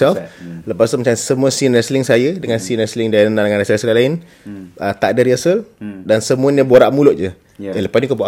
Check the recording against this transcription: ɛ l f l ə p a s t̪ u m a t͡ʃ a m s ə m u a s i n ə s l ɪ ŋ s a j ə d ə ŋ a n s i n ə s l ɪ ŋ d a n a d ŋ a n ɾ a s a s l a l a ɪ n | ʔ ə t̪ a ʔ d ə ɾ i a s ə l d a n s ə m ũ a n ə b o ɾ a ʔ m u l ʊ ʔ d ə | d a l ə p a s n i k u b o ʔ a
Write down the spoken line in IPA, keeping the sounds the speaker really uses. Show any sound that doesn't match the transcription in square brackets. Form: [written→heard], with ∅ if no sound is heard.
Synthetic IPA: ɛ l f l ə p a s t̪ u m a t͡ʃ a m s ə m u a s i n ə s l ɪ ŋ s a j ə d ə ŋ a n s i n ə s l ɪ ŋ d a n a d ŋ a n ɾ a s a s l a l a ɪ n | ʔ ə t̪ a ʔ d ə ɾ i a s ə l d a n s ə m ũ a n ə b o ɾ a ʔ m u l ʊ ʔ [d→d͡ʒ] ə | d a l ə p a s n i k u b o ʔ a